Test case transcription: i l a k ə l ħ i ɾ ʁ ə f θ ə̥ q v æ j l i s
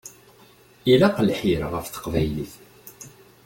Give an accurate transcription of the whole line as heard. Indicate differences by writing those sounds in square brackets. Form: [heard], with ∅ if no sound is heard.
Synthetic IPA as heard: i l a [q] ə l ħ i ɾ ʁ ə f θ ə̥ q v æ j l i [θ]